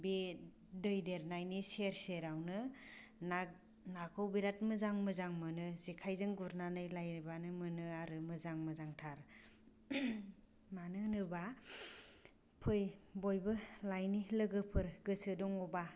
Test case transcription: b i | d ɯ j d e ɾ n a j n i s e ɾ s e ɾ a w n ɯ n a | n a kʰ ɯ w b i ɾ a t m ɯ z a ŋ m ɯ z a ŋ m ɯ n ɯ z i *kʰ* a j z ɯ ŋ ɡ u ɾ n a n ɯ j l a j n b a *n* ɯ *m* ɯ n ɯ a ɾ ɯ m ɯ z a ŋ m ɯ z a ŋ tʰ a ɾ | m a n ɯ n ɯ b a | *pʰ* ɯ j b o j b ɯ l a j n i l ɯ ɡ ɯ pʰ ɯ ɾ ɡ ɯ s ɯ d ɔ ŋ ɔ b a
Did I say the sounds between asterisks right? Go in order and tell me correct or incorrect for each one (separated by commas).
correct, correct, correct, correct